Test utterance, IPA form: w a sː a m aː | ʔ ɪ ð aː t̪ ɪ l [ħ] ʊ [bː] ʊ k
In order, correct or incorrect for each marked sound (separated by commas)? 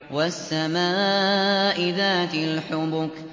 correct, incorrect